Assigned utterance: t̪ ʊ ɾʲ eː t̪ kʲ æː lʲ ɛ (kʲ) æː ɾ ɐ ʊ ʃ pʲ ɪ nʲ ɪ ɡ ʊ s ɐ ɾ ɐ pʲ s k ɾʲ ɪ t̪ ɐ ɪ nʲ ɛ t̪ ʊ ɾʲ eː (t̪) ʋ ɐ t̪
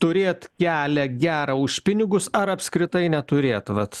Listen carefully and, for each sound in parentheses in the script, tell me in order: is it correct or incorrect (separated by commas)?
incorrect, correct